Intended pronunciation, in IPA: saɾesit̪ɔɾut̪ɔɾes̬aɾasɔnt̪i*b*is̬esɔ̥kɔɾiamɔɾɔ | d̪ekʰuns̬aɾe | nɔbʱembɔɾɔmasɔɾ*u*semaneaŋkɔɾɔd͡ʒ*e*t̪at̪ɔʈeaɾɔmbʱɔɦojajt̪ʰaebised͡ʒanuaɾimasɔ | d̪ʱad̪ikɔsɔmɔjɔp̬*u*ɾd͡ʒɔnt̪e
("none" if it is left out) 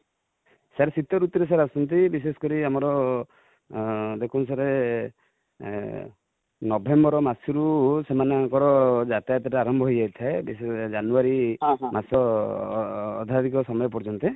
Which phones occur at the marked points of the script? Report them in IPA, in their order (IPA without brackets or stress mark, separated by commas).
b, u, a, ɔ